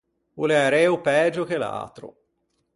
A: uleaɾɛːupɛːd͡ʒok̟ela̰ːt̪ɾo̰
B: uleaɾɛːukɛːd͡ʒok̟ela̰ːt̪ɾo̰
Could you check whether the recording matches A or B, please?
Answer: A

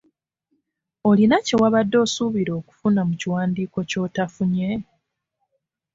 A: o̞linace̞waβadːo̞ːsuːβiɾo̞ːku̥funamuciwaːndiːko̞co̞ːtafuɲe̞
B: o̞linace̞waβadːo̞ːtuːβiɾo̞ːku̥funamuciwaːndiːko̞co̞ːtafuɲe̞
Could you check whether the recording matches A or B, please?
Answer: A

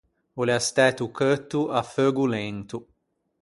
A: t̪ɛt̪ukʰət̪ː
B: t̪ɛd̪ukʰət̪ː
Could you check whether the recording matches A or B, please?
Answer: A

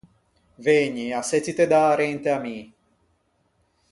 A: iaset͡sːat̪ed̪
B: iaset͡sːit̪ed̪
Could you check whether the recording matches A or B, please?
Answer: B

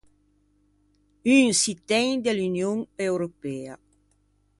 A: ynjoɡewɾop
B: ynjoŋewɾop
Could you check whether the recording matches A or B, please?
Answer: B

